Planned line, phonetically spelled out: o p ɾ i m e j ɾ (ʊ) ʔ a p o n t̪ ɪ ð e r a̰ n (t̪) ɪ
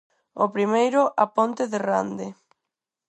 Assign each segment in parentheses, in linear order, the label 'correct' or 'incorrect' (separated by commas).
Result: correct, incorrect